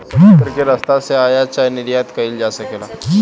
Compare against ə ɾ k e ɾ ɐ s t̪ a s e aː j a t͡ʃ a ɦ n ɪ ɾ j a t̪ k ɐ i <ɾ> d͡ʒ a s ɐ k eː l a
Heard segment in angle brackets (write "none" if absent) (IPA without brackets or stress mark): l